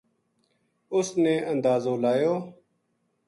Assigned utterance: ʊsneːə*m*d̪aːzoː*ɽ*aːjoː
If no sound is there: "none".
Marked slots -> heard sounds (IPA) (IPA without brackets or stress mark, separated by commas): n, l